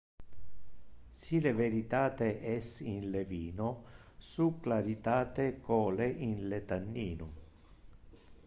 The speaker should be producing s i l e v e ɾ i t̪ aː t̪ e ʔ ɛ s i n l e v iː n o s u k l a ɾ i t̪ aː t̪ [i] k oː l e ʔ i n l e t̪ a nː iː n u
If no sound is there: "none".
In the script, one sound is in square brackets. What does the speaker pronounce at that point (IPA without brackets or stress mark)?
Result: e